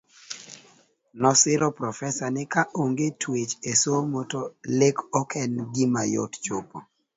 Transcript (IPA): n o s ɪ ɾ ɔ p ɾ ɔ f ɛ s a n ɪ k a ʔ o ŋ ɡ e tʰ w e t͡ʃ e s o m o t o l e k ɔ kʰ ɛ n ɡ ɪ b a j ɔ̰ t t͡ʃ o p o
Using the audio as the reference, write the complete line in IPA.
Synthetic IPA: n ɔ s ɪ ɾ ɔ p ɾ ɔ f ɛ s a n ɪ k a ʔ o ŋ ɡ e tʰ w e t͡ʃ e s o m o t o l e k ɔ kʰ ɛ n ɡ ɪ m a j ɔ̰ t t͡ʃ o p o

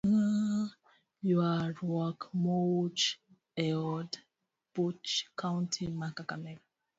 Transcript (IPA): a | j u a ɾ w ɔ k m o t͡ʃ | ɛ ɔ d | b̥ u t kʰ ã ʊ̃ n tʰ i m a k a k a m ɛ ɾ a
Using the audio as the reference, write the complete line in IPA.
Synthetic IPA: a | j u a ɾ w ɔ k m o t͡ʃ | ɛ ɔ d | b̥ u t͡ʃ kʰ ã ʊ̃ n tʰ i m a k a k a m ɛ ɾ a

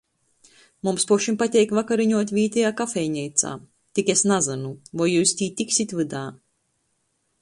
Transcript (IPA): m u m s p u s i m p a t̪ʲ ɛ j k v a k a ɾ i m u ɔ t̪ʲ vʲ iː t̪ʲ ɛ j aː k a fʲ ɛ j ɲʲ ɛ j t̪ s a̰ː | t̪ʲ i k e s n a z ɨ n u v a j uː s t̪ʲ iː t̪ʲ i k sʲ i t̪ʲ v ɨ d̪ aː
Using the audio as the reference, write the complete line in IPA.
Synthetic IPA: m u m s p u ʃ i m p a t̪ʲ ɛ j k v a k a ɾ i ɲ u ɔ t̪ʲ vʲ iː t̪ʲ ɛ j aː k a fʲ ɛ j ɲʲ ɛ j t̪ s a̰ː | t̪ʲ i k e s n a z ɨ n u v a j uː s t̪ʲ iː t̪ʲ i k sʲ i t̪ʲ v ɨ d̪ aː

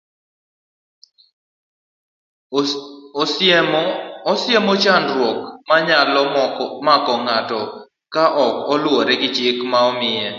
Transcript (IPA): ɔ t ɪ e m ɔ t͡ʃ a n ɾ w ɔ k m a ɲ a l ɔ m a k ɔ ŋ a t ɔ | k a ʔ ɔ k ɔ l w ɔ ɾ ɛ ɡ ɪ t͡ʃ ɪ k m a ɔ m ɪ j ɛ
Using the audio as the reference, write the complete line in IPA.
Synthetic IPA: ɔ s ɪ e m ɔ t͡ʃ a n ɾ w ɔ k m a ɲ a l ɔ m a k ɔ ŋ a t ɔ | k a ʔ ɔ k ɔ l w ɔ ɾ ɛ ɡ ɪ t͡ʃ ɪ k m a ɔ m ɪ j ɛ

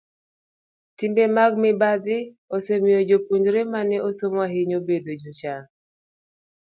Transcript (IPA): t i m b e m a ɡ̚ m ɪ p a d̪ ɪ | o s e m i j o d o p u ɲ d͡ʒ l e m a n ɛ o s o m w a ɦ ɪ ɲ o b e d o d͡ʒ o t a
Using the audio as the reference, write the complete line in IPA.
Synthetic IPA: t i m b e m a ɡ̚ m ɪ b a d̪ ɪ | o s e m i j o d͡ʒ o p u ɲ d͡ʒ ɾ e m a n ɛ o s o m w a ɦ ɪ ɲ o b e d o d͡ʒ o t͡ʃ a

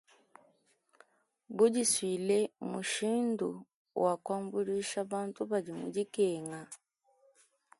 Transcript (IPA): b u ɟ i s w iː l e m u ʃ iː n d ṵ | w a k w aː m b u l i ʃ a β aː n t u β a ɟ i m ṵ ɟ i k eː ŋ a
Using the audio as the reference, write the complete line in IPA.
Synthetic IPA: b u ɟ i s w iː l e m u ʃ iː n d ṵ | w a k w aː m b u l i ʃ a β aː n t u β a ɟ i m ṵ ɟ i k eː ŋ a

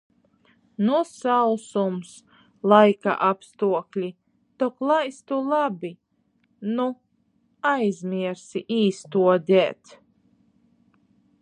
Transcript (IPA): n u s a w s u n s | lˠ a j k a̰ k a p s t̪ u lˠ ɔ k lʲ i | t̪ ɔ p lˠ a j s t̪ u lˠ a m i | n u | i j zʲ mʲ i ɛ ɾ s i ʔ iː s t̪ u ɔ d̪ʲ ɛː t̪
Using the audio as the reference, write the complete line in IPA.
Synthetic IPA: n u s a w s u m s | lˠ a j k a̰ ʔ a p s t̪ u ɔ k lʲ i | t̪ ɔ k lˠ a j s t̪ u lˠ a b i | n u | a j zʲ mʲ i ɛ ɾ s i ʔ iː s t̪ u ɔ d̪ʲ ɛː t̪

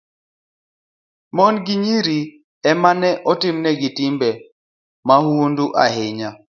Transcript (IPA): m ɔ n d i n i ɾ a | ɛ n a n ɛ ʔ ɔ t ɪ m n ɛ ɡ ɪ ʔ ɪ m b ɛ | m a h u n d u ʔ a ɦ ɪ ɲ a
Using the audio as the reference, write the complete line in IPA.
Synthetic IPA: m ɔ n ɡ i ɲ i ɾ i | ɛ m a n ɛ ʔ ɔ t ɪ m n ɛ ɡ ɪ t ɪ m b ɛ | m a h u n d u ʔ a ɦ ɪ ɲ a

